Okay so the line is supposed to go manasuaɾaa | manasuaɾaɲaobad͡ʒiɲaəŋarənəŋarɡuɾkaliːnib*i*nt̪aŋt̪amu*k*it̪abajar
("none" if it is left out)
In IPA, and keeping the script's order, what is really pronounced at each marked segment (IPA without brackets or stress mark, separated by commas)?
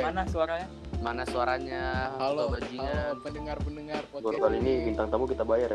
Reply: i, k